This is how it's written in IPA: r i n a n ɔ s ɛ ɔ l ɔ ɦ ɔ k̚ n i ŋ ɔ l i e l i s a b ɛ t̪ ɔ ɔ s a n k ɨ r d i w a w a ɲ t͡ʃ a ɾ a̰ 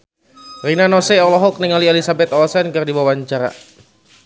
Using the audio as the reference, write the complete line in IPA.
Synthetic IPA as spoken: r i n a n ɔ s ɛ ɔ l ɔ ɦ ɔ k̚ n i ŋ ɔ l i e l i s a b ɛ t̪ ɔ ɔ s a n k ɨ r d i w a w a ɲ t͡ʃ a ɾ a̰